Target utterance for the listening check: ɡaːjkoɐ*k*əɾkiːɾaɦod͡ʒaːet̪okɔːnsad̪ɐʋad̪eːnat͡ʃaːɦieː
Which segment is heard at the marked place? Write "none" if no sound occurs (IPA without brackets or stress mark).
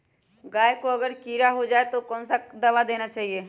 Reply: ɡ